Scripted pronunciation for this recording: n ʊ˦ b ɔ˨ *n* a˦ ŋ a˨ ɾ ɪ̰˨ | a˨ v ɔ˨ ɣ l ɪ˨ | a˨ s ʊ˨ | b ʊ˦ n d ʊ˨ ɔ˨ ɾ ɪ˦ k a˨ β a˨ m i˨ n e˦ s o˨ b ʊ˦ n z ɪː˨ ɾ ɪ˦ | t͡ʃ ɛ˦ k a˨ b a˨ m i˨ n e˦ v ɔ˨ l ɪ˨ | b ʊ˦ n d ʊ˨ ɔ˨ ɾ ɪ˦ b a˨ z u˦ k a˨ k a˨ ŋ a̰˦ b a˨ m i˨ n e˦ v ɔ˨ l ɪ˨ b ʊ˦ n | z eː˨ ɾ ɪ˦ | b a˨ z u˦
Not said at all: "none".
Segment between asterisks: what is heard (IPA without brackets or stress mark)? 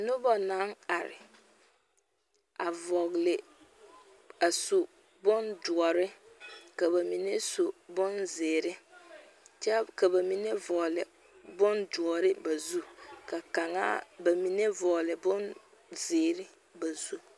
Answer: n